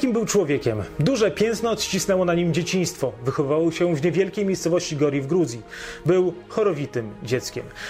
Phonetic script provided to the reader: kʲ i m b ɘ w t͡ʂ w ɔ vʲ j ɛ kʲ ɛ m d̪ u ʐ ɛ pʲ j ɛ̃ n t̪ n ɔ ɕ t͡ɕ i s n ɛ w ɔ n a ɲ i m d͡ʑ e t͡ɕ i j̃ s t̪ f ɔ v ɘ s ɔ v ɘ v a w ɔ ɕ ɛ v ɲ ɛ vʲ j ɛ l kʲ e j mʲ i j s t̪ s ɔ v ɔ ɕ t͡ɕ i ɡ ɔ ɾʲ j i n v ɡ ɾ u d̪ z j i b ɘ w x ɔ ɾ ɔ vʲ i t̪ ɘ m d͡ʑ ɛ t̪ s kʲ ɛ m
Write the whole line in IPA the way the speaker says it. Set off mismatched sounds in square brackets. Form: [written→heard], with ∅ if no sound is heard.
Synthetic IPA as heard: kʲ i m b ɘ w t͡ʂ w ɔ vʲ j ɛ kʲ ɛ m d̪ u ʐ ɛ pʲ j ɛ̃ n t̪ n ɔ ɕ t͡ɕ i s n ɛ w ɔ n a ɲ i m d͡ʑ e t͡ɕ i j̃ s t̪ f ɔ v ɘ [s→x] ɔ v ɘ v a w ɔ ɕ ɛ v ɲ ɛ vʲ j ɛ l kʲ e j mʲ [i→e] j s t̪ s ɔ v ɔ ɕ t͡ɕ i ɡ ɔ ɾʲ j i [n→∅] v ɡ ɾ u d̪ z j i b ɘ w x ɔ ɾ ɔ vʲ i t̪ ɘ m d͡ʑ ɛ t̪ s kʲ ɛ m